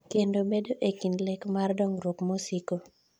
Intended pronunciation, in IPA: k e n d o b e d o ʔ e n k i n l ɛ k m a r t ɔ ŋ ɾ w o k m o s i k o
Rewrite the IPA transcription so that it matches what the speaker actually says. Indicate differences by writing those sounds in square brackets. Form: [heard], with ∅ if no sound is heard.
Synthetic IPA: k e n d o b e d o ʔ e [∅] k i n l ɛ k m a r [d] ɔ ŋ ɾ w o k m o s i k o